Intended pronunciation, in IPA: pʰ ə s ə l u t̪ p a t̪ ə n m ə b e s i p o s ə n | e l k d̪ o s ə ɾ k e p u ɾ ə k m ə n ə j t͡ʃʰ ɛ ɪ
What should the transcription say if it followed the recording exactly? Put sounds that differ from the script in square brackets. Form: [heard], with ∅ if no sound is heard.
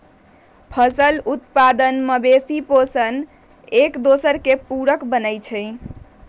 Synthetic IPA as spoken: pʰ ə s ə l u t̪ p a [d̪] ə n m ə b e s i p o s ə n | e [∅] k d̪ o s ə ɾ k e p u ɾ ə k [b] ə n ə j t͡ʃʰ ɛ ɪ